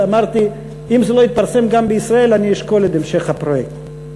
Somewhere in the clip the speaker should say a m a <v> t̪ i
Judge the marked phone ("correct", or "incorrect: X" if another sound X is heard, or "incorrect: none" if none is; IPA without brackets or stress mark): incorrect: ʁ